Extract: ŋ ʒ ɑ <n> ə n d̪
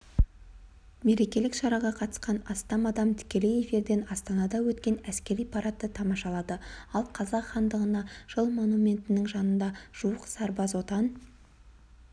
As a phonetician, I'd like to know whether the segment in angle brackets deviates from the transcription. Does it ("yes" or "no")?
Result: no